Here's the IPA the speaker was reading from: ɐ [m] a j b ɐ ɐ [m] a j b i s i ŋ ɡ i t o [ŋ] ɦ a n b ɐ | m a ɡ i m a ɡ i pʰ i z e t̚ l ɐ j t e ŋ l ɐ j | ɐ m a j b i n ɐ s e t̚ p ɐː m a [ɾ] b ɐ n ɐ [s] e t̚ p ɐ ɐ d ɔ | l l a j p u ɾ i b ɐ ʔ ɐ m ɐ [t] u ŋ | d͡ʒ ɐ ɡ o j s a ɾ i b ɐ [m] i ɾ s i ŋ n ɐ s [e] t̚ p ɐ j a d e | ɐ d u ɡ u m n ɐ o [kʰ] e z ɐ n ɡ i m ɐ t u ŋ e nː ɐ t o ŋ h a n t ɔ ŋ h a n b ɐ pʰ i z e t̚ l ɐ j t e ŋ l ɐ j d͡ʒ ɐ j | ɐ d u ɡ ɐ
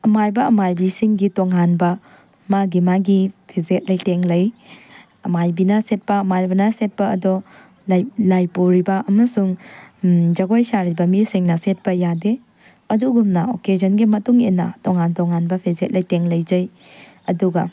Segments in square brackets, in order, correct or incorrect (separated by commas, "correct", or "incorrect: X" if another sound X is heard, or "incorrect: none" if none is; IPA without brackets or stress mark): correct, correct, correct, correct, correct, incorrect: s, correct, correct, incorrect: k